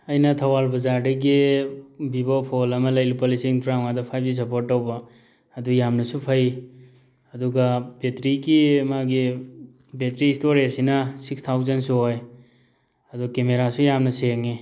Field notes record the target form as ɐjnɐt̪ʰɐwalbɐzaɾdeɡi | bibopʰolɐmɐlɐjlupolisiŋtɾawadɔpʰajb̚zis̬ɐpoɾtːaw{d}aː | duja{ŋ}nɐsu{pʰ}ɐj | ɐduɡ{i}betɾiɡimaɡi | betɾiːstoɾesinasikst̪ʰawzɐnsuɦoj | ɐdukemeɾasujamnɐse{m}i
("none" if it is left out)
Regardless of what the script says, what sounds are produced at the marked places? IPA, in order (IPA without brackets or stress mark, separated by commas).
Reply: b, m, pʰ, a, ŋ